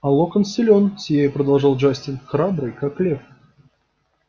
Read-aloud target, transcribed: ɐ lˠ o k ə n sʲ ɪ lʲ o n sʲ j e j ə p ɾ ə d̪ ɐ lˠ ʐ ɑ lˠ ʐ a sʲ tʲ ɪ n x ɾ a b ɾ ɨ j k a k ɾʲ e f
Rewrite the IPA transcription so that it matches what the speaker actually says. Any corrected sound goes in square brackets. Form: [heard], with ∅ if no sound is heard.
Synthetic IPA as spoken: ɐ lˠ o k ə n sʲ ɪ lʲ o n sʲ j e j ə p ɾ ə d̪ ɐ lˠ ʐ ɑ lˠ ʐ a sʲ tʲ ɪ n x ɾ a b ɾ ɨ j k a k [lʲ] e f